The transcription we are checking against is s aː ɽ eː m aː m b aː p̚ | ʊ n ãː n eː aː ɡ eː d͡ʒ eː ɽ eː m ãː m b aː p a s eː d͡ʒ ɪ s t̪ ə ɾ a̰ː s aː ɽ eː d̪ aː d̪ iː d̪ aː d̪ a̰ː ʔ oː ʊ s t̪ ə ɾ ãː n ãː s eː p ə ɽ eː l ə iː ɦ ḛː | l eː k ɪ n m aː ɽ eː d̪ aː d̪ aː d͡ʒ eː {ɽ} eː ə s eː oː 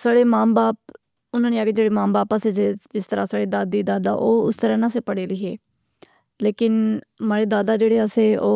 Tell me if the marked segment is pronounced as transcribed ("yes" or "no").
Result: yes